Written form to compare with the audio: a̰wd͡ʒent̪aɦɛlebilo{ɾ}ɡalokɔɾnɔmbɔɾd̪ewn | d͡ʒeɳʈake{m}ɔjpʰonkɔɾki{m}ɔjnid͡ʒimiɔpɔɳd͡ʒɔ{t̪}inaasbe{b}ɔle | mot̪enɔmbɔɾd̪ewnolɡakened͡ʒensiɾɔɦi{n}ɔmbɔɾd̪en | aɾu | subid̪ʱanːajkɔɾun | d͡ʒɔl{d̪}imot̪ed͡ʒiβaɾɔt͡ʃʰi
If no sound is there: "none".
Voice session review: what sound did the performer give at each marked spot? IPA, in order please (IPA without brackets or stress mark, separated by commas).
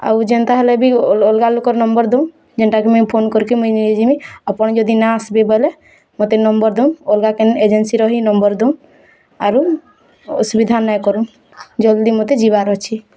l, m, m, d̪, b, n, d̪